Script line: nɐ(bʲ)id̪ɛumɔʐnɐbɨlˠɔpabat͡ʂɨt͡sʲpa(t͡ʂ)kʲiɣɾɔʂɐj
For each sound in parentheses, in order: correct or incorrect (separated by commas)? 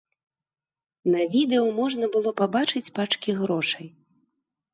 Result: incorrect, correct